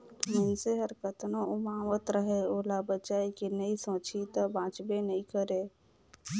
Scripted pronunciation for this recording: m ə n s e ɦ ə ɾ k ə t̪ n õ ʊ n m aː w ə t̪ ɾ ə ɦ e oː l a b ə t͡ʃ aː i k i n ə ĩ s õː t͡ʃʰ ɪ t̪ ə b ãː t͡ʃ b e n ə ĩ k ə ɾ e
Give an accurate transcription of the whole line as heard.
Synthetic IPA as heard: m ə n s e ɦ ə ɾ k ə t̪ n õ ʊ m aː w ə t̪ ɾ ə ɦ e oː l a b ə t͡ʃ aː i k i n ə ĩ s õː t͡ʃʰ i t̪ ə b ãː t͡ʃ b e n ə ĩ k ə ɾ e